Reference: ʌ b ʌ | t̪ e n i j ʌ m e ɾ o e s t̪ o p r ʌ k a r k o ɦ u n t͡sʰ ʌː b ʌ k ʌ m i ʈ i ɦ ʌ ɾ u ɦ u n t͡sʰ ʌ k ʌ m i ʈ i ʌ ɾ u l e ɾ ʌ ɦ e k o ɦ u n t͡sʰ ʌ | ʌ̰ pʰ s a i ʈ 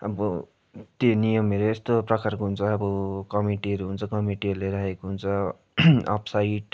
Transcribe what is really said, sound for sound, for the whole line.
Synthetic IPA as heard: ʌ b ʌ | t̪ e n i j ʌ m e ɾ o e s t̪ o p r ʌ k a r k o ɦ u n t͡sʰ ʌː b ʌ k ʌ m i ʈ i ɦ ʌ ɾ u ɦ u n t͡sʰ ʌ k ʌ m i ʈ i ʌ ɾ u l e ɾ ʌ ɦ e k o ɦ u n t͡sʰ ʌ | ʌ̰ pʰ s a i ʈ